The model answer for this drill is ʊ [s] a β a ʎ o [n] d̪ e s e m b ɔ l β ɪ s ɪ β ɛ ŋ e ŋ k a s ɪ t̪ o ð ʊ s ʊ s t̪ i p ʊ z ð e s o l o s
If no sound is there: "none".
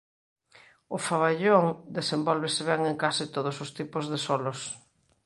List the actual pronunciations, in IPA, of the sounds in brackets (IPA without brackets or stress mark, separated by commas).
f, ŋ